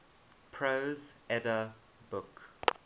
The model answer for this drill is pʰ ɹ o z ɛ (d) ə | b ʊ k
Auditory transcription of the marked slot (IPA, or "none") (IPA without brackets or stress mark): d